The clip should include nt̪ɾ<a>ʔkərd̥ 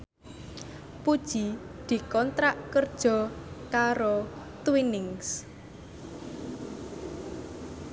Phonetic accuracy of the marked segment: correct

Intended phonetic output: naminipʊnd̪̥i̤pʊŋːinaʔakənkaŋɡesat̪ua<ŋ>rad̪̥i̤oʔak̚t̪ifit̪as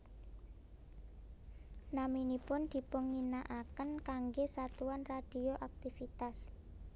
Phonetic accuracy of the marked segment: incorrect: n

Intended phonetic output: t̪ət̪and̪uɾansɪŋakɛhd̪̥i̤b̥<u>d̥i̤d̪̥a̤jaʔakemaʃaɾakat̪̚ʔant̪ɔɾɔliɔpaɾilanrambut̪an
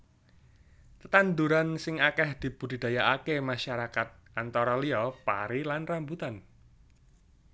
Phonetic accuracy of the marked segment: correct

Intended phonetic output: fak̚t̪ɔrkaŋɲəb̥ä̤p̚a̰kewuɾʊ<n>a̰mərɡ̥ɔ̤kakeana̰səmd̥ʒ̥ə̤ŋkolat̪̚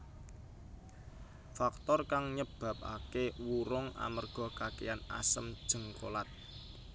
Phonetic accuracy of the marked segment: incorrect: ŋ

